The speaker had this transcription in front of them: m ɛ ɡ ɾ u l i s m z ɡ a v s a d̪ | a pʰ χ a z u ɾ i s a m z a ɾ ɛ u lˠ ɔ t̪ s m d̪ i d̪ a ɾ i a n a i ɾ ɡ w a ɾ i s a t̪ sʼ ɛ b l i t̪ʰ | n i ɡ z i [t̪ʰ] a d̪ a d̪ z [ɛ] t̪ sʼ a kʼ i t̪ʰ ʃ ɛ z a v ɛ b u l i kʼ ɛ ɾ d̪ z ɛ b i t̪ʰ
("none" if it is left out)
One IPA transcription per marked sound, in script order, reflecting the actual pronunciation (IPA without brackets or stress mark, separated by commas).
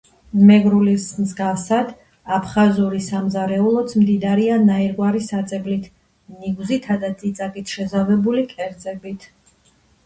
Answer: t̪ʰ, i